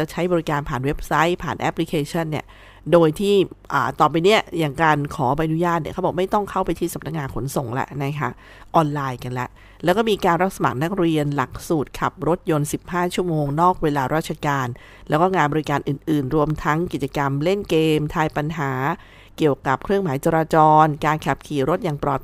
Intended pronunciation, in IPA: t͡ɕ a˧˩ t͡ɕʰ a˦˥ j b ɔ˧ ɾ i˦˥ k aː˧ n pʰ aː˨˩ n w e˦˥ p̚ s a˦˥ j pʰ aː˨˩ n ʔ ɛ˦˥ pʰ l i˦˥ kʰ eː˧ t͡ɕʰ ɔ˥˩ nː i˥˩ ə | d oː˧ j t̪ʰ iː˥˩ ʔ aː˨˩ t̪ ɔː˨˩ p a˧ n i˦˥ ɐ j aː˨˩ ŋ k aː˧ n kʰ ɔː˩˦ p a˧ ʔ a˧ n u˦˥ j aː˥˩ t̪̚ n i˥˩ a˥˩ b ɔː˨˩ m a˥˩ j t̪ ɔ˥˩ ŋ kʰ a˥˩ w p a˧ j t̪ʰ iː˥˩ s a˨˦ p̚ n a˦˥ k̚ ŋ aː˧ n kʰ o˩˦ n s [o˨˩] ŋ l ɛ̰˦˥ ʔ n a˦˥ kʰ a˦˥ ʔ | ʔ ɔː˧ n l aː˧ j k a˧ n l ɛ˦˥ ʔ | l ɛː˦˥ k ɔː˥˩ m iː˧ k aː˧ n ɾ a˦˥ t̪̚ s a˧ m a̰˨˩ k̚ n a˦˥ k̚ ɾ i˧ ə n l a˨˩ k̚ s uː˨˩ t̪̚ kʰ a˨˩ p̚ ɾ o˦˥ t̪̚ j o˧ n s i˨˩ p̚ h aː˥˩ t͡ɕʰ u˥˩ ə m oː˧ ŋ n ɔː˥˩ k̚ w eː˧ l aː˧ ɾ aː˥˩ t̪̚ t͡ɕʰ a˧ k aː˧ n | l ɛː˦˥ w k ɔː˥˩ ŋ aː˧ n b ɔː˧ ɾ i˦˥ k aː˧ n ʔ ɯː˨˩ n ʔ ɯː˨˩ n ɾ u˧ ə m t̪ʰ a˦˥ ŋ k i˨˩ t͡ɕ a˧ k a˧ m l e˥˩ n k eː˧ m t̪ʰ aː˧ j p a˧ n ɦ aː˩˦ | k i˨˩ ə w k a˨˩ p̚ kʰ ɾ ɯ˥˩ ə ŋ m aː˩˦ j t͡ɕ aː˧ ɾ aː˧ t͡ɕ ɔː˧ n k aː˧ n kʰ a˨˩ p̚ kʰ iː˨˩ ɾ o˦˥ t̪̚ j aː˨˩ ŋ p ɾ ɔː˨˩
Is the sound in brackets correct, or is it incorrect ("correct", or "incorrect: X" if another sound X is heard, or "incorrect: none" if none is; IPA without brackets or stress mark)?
correct